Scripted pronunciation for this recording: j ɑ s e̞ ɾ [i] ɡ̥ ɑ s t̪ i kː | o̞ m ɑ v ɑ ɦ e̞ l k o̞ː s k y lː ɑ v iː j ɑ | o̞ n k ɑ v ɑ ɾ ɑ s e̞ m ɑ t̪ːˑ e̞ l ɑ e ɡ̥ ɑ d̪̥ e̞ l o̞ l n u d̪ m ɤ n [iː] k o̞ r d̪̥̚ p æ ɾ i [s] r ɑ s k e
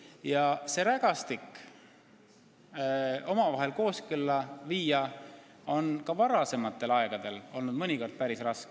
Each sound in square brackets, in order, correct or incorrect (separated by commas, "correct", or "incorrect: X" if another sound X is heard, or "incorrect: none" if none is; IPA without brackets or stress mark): incorrect: æ, incorrect: i, correct